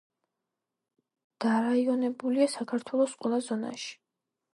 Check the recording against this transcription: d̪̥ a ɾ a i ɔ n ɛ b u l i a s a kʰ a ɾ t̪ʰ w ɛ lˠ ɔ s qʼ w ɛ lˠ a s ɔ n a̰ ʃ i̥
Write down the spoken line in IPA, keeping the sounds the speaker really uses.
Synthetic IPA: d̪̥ a ɾ a i ɔ n ɛ b u l i a s a kʰ a ɾ t̪ʰ w ɛ lˠ ɔ s qʼ w ɛ lˠ a z ɔ n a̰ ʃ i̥